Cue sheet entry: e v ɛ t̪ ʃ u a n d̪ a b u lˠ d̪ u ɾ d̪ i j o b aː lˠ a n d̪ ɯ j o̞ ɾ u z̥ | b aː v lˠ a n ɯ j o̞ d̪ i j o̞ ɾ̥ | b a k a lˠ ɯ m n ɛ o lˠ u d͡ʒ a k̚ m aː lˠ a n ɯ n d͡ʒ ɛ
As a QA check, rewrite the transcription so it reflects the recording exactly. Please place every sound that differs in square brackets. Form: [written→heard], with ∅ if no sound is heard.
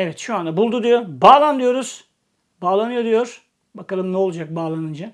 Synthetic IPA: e v ɛ t̪ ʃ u a n d̪ a b u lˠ d̪ u [ɾ→∅] d̪ i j o b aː lˠ a n d̪ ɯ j o̞ ɾ u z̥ | b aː [v→∅] lˠ a n ɯ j o̞ d̪ i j o̞ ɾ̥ | b a k a lˠ ɯ m n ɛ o lˠ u d͡ʒ a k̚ [m→b] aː lˠ a n ɯ n d͡ʒ [ɛ→a]